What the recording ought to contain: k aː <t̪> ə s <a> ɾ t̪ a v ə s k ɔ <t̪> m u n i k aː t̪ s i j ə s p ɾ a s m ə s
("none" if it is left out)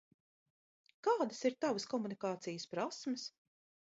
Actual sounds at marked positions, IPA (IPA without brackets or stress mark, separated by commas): d̪, i, none